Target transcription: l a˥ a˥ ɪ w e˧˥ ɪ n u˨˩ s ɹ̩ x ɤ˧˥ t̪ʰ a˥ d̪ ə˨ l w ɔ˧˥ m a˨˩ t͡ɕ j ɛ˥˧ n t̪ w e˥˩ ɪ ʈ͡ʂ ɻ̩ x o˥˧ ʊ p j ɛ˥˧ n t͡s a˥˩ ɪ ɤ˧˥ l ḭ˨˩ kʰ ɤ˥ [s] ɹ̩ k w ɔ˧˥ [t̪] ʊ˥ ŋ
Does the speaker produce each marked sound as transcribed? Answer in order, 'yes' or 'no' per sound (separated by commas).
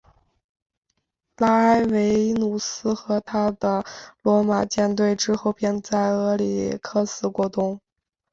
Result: yes, yes